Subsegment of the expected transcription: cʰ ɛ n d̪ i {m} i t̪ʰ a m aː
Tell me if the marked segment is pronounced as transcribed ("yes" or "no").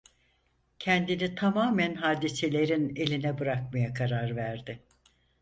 no